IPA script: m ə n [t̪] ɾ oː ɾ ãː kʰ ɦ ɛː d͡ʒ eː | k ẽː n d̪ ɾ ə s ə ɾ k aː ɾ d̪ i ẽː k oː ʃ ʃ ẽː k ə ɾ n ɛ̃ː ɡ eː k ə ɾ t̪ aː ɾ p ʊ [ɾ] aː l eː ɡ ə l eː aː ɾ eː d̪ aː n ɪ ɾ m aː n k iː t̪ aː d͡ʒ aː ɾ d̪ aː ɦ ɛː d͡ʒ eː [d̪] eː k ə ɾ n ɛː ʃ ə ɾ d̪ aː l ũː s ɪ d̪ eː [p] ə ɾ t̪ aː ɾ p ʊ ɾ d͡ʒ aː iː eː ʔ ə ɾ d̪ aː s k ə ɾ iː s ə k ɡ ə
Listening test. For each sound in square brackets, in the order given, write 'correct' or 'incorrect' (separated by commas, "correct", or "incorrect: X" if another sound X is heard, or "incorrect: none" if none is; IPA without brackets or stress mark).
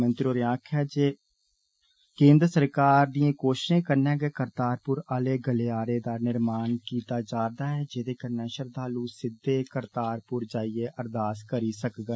correct, correct, correct, incorrect: k